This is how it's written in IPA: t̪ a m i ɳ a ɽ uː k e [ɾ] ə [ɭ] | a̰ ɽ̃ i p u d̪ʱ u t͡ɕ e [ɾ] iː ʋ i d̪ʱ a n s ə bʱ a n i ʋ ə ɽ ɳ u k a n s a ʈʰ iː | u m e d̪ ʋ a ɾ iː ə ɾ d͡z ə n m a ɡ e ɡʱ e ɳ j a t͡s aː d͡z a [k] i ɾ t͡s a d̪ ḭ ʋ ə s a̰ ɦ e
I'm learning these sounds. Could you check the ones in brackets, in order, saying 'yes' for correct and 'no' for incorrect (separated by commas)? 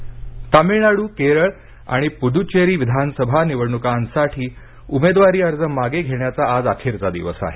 yes, yes, yes, no